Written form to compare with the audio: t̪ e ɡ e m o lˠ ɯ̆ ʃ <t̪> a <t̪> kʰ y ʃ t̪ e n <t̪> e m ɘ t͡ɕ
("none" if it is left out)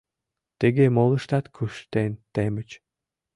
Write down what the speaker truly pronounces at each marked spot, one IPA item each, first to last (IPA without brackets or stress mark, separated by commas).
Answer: t̪, t̪, t̪